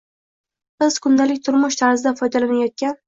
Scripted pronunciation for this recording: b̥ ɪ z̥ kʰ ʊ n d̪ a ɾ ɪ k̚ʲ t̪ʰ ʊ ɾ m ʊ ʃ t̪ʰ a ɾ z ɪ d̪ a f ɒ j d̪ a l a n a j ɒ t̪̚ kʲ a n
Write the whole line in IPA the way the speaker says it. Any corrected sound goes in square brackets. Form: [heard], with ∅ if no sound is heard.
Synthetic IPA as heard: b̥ ɪ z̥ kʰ ʊ n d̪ a [l] ɪ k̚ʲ t̪ʰ ʊ ɾ m ʊ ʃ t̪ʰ a ɾ z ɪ d̪ a f ɒ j d̪ a l a n a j ɒ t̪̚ kʲ a n